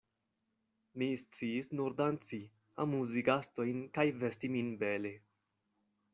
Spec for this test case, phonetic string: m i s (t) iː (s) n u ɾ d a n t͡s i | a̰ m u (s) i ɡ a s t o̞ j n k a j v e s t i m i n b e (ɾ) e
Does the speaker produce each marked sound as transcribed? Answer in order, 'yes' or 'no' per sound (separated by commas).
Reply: no, yes, no, no